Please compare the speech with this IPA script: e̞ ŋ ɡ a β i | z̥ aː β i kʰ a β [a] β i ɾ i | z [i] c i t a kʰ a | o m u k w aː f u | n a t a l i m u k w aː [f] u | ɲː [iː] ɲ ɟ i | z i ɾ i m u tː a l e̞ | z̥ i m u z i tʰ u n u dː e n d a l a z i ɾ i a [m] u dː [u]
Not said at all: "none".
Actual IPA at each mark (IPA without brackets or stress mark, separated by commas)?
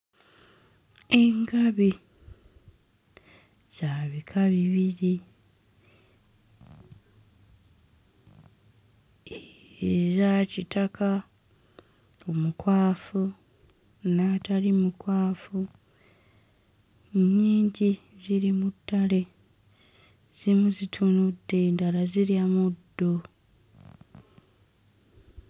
i, a, f, iː, m, o